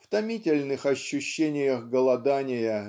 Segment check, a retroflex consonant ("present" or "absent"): absent